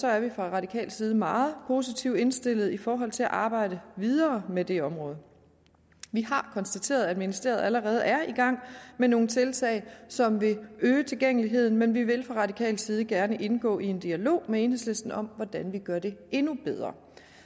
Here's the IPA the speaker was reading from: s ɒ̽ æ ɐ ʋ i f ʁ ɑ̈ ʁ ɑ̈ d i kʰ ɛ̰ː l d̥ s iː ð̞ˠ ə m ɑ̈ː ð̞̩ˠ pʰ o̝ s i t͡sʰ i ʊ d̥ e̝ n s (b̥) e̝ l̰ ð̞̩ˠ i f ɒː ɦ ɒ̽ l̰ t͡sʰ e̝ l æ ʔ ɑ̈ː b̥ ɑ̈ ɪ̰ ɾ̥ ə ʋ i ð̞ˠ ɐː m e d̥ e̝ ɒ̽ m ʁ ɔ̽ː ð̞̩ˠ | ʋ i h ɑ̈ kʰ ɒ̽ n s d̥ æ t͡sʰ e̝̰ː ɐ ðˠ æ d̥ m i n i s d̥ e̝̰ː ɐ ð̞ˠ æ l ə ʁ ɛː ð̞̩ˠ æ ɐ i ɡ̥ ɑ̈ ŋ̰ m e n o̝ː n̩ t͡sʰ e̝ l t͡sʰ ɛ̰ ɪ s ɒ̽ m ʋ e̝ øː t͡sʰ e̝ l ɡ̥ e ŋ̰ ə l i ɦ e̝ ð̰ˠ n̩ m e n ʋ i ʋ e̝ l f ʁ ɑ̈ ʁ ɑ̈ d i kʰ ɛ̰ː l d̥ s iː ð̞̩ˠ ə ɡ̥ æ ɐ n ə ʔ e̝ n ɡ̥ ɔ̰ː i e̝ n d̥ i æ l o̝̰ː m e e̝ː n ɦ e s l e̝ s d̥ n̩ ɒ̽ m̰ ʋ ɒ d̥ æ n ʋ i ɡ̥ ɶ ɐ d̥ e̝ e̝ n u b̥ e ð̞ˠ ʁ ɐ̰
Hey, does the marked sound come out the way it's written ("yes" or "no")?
no